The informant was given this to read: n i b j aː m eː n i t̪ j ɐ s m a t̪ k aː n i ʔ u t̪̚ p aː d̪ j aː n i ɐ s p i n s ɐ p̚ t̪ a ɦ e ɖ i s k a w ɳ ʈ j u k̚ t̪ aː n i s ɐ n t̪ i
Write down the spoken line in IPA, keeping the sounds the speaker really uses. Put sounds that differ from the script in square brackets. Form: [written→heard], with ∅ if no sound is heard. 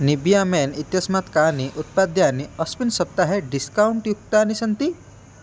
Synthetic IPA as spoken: n i b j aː m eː n i t̪ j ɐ s m a t̪ k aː n i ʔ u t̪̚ p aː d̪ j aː n i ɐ s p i n s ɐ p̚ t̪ a ɦ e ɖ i s k a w ɳ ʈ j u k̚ t̪ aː n i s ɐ n t̪ i